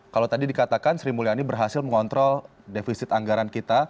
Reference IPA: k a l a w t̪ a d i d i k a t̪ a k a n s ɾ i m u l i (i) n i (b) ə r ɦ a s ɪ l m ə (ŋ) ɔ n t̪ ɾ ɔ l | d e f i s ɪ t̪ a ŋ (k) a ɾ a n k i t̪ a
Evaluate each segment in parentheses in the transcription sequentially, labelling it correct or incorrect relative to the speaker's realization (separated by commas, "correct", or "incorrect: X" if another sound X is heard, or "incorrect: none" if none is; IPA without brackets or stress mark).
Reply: incorrect: a, correct, correct, incorrect: ɡ